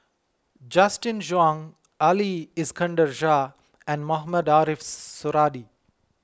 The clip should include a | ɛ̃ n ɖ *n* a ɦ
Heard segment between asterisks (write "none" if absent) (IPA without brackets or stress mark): m